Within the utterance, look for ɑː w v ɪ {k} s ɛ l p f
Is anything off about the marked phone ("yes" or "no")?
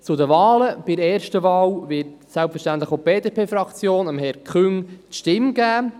yes